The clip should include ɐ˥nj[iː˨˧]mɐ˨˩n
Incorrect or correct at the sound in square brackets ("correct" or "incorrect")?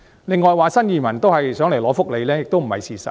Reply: correct